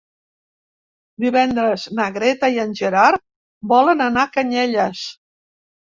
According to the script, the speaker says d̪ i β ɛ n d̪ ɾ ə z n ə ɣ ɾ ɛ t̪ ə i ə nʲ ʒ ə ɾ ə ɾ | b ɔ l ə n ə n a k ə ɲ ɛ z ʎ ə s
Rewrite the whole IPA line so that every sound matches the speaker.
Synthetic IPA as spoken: d̪ i β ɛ n d̪ ɾ ə z n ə ɣ ɾ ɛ t̪ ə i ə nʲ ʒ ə ɾ a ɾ | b ɔ l ə n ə n a k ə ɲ ɛ ʎ ə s